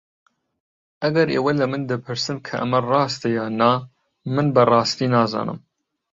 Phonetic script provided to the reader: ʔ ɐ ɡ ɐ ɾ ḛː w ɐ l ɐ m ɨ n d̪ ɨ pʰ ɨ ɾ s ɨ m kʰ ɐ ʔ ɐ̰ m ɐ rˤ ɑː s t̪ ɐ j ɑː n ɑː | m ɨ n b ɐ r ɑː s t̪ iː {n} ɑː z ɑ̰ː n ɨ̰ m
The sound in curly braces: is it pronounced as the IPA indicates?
yes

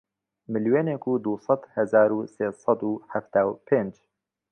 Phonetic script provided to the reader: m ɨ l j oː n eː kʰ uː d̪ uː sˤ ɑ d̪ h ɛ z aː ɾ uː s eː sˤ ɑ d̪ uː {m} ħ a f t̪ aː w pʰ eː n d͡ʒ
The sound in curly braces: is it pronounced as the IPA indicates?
no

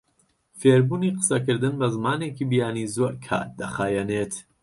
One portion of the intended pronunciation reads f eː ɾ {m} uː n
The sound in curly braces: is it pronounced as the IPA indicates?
no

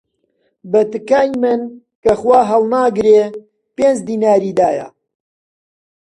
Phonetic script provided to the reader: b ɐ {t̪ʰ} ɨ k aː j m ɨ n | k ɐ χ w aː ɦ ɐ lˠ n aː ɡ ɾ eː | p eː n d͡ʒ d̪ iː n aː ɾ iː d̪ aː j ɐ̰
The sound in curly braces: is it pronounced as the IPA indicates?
no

